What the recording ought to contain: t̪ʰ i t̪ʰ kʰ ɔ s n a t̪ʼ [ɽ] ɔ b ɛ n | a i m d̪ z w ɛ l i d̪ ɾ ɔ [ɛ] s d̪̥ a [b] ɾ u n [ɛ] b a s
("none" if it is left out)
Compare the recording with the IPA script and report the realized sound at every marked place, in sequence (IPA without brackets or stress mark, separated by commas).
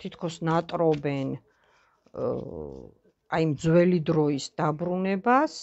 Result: ɾ, i, b, ɛ